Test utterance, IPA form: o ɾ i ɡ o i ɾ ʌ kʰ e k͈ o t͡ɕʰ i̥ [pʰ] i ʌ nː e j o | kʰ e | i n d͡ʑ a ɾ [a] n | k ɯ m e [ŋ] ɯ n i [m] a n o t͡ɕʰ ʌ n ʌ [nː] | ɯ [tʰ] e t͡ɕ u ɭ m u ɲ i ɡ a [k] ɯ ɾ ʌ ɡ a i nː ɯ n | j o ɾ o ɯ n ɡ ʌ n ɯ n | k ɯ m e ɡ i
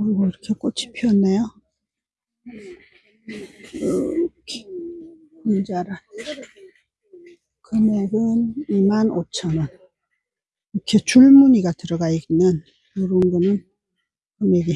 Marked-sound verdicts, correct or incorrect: correct, correct, incorrect: ɡ, correct, incorrect: n, incorrect: kʰ, incorrect: t

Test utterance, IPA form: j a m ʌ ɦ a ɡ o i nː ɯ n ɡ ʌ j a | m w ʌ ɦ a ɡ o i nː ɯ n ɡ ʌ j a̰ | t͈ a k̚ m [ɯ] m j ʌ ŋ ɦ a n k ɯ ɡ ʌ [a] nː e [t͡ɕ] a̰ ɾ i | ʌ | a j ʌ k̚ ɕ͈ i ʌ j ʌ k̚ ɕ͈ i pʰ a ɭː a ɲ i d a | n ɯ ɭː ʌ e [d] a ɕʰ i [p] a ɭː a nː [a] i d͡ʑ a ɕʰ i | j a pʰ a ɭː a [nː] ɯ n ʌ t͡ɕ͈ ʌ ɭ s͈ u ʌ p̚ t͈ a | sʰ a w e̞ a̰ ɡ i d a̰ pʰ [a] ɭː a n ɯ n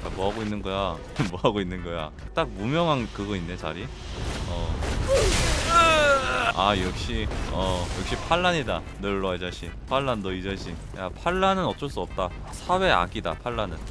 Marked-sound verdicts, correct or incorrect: incorrect: u, incorrect: i, correct, incorrect: d͡ʑ, incorrect: pʰ, incorrect: ʌ, incorrect: n, correct

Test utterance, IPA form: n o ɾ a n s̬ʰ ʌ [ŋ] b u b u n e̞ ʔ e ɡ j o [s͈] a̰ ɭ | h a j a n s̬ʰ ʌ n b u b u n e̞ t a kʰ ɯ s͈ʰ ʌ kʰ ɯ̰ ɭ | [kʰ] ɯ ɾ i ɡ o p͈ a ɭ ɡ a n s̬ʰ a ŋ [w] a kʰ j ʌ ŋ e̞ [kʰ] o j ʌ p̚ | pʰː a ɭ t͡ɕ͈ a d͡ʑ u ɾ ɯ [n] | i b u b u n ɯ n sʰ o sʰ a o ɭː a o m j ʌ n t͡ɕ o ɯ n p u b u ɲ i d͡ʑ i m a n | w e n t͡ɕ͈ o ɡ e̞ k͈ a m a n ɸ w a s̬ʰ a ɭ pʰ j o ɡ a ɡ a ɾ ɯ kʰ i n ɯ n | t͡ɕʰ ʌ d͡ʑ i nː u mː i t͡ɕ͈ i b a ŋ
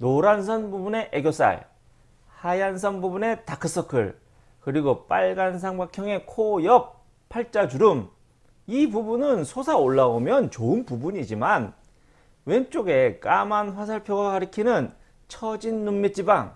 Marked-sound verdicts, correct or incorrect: incorrect: n, correct, incorrect: k, incorrect: b, correct, incorrect: m

